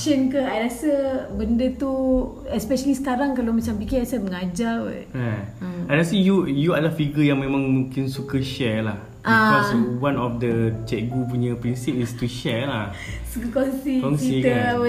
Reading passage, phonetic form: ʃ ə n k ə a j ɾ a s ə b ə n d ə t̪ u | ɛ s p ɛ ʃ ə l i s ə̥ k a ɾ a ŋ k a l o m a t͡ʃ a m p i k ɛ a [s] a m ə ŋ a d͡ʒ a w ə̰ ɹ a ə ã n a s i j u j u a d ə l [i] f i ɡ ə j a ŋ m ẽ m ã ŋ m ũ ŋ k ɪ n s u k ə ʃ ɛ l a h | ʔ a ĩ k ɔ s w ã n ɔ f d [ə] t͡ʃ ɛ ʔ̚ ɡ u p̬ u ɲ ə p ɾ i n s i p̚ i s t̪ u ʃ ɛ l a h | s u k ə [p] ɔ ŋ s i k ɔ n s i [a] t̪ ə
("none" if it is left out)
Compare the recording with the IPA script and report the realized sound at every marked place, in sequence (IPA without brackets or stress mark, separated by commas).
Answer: s, a, ə, k, i